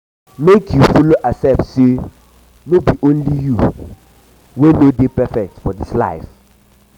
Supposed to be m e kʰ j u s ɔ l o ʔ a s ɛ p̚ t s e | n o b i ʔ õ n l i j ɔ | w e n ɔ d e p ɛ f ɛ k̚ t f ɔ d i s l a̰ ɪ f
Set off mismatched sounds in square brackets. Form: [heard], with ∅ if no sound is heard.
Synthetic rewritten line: m e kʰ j u [f] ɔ l o ʔ a s ɛ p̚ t s e | n o b i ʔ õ n l i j [u] | w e n [o] d e p ɛ f ɛ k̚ t f ɔ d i s l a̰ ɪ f